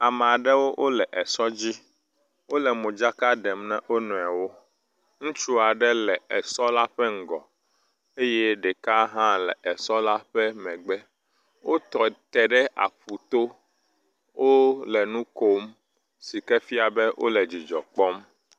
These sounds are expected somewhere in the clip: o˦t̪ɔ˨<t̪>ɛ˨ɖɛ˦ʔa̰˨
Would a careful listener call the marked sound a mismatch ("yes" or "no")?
no